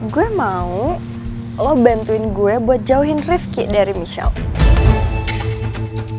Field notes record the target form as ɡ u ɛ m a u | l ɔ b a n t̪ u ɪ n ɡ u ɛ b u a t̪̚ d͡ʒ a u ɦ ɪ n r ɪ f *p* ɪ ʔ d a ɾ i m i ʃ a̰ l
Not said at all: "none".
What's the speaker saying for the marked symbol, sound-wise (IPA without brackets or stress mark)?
k